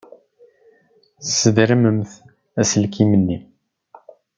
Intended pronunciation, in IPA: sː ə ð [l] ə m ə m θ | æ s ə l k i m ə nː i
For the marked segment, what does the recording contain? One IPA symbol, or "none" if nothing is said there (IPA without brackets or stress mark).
ɾ